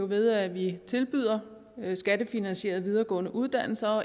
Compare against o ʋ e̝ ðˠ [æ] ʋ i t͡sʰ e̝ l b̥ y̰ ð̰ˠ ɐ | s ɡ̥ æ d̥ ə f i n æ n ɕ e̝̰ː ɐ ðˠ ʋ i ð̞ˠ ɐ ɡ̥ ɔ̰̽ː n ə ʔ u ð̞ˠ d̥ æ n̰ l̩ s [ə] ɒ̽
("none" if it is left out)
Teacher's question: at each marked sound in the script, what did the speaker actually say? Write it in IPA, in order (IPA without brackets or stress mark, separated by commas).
æ, ɐ